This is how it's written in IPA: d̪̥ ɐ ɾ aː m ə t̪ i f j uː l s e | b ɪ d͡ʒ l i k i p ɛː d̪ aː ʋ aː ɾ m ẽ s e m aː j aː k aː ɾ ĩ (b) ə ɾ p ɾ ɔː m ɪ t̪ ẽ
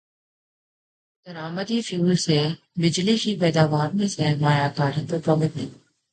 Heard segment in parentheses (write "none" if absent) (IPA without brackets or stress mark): p